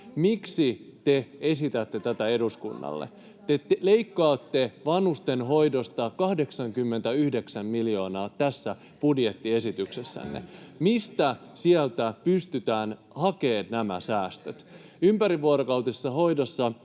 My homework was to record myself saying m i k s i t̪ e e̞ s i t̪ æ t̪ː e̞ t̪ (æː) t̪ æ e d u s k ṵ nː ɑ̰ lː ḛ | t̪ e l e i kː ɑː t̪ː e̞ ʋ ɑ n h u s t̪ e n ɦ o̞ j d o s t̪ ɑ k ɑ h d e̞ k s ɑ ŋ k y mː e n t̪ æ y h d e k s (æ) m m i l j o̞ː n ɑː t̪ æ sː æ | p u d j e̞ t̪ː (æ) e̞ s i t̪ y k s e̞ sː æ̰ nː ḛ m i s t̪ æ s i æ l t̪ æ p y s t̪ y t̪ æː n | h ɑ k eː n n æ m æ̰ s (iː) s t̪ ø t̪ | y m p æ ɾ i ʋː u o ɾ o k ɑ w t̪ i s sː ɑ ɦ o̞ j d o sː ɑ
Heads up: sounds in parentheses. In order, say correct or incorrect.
incorrect, correct, incorrect, incorrect

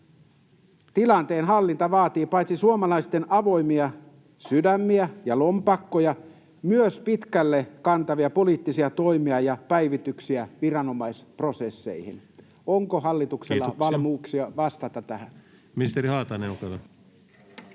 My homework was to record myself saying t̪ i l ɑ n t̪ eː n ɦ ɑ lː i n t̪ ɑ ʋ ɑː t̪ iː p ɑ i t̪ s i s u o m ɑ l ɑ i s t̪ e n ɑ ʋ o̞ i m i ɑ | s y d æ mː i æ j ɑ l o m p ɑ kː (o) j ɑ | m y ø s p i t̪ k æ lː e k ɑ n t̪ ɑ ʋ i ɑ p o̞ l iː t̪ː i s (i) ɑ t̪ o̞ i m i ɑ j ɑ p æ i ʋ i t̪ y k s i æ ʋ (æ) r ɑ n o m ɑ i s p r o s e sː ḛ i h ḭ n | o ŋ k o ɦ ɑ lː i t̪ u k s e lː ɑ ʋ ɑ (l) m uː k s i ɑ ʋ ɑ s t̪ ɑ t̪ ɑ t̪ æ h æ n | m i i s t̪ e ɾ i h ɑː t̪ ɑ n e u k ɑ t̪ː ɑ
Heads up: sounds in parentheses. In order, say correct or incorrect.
correct, correct, incorrect, correct

